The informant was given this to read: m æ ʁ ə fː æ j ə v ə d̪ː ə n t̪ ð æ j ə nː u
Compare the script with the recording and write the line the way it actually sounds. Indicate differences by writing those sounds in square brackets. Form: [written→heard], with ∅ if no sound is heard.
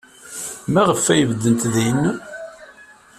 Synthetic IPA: m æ ʁ ə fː æ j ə v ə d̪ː ə n t̪ ð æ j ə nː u